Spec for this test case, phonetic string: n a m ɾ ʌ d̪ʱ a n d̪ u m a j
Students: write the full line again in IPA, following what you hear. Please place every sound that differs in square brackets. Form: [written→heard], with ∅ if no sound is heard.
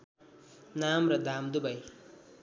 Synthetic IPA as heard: n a m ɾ ʌ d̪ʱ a [n→m] d̪ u [m→b] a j